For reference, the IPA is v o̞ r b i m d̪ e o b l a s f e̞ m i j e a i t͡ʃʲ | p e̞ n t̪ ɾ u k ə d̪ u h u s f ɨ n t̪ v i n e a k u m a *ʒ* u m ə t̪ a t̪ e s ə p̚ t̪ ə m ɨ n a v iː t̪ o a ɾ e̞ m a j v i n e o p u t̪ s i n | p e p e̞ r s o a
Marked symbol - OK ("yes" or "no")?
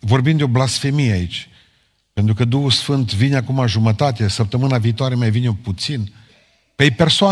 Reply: yes